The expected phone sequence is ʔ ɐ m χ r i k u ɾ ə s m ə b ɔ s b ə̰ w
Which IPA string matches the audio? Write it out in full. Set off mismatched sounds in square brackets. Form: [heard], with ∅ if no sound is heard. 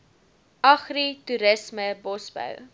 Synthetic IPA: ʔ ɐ [∅] χ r i [t] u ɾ ə s m ə b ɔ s b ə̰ w